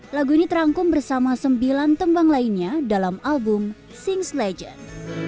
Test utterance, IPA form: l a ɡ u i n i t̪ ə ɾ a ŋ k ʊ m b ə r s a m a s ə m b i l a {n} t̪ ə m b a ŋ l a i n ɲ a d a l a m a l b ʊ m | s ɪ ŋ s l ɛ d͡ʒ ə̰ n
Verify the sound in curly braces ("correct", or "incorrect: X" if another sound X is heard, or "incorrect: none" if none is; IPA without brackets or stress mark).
correct